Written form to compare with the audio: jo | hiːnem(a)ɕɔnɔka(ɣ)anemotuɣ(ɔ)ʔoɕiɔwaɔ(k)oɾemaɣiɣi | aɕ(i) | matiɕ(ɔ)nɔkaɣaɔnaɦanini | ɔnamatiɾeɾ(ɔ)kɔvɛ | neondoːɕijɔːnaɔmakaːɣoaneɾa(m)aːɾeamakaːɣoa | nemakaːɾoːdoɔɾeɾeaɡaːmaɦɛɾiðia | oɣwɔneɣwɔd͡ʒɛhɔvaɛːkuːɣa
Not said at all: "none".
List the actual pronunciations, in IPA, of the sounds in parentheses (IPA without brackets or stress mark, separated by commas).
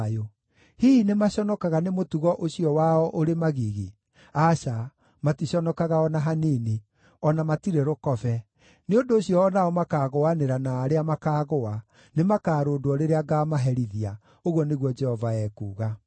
a, ɣ, ɔ, ʔ, a, ɔ, o, n